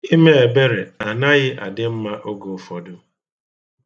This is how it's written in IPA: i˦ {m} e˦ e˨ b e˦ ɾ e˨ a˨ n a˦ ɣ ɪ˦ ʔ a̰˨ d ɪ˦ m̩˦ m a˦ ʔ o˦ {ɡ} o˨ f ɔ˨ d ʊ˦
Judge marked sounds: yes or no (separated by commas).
yes, yes